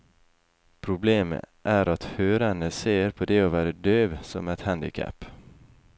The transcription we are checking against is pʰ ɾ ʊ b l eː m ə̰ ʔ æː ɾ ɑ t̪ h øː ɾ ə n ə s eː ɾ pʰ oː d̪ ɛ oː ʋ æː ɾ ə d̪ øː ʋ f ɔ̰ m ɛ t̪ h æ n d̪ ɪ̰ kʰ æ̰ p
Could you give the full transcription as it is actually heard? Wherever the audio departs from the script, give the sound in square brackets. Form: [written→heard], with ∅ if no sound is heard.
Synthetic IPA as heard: pʰ ɾ ʊ b l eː m ə̰ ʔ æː ɾ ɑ t̪ h øː ɾ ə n ə s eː ɾ pʰ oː d̪ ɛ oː ʋ æː ɾ ə d̪ øː ʋ [f→s] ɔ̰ m ɛ t̪ h æ n d̪ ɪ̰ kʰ æ̰ p